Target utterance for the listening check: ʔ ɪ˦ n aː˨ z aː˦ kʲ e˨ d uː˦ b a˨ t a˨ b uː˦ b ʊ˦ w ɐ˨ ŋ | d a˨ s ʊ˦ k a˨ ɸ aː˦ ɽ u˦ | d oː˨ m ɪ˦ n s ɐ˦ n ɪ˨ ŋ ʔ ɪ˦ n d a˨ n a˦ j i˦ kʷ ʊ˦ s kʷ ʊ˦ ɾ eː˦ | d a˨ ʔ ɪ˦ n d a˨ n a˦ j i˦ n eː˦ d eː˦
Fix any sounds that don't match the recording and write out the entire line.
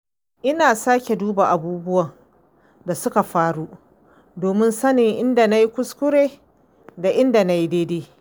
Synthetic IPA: ʔ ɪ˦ n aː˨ s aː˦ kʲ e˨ d uː˦ b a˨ ʔ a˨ b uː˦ b ʊ˦ w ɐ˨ ŋ | d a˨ s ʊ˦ k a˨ ɸ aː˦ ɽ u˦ | d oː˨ m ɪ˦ n s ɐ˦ n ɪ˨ ŋ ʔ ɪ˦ n d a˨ n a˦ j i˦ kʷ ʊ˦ s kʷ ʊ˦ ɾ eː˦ | d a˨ ʔ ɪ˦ n d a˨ n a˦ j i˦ d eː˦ d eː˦